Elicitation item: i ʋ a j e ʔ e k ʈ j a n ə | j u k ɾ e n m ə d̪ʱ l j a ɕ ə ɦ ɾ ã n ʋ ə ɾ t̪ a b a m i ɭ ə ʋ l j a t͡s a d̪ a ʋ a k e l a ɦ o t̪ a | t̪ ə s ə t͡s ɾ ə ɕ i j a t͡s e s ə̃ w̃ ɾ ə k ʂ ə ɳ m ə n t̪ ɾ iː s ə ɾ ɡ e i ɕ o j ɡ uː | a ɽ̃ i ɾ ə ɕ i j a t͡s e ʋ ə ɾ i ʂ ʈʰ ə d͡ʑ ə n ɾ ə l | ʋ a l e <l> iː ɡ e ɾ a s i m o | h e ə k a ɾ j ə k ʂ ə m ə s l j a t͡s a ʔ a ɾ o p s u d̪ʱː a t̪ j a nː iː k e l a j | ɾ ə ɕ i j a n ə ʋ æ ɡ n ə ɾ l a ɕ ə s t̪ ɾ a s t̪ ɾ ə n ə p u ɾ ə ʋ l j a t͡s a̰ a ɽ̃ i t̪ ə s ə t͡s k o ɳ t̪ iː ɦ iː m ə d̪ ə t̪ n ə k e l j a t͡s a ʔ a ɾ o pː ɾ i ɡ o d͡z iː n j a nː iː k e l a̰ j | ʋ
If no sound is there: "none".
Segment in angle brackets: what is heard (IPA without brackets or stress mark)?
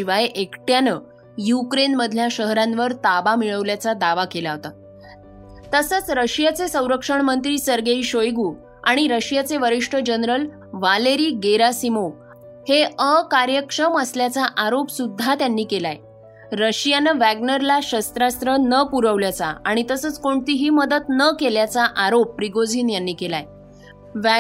ɾ